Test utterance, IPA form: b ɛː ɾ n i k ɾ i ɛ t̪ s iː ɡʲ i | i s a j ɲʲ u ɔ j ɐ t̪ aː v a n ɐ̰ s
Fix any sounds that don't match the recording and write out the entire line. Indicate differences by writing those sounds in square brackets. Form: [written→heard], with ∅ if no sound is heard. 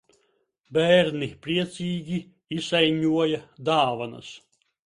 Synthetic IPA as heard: b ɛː ɾ n i [k→p] ɾ i ɛ t̪ s iː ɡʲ i | i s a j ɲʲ u ɔ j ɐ [t̪→d̪] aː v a n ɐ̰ s